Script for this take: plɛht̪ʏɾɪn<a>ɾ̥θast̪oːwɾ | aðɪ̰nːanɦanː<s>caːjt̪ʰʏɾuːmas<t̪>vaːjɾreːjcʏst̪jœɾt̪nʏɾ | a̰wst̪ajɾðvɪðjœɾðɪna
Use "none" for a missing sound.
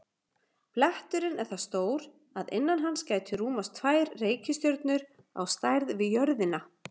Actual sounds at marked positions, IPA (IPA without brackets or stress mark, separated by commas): ɛ, s, t̪ʰ